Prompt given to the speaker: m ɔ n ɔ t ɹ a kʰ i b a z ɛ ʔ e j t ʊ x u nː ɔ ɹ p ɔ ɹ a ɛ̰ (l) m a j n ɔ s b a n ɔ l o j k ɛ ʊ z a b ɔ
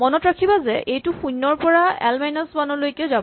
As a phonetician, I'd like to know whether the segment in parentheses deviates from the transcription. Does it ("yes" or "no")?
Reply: no